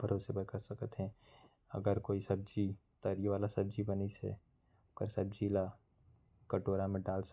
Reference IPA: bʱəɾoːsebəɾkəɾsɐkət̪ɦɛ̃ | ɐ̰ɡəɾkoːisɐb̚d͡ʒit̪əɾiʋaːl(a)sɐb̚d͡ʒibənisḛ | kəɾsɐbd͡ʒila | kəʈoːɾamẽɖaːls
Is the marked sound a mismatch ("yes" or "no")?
no